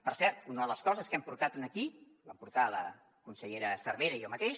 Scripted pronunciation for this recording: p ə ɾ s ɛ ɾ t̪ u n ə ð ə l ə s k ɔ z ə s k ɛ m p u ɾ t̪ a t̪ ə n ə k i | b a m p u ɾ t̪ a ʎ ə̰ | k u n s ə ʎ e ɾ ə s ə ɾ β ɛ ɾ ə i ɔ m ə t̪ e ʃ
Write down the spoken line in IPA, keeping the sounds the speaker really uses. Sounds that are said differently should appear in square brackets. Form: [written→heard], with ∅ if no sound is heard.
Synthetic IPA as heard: p ə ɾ s ɛ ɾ t̪ u n ə ð ə l ə s k ɔ z ə s k ɛ m p u ɾ t̪ a t̪ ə n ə k i | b a m p u ɾ t̪ a [ʎ→l] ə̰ | k u n s ə ʎ e ɾ ə s ə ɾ β [ɛ→e] ɾ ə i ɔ m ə t̪ e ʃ